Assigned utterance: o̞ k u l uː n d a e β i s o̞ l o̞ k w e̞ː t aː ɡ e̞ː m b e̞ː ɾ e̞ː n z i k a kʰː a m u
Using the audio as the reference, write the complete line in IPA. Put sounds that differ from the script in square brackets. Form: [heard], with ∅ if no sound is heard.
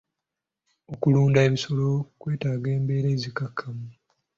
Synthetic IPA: o̞ k u l uː n d a e β i s o̞ l o̞ k w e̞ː t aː ɡ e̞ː m b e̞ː ɾ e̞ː [∅] z i k a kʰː a m u